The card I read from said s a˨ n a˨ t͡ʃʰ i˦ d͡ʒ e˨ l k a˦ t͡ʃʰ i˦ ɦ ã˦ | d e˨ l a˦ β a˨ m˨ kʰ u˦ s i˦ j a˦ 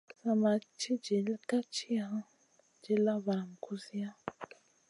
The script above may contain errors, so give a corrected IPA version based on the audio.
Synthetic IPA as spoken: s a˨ m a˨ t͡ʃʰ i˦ d͡ʒ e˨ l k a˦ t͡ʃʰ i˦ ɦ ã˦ | d͡ʒ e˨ l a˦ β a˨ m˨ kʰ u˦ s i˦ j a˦